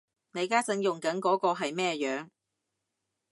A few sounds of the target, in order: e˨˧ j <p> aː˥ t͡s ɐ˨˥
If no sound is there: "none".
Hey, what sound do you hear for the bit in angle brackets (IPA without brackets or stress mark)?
k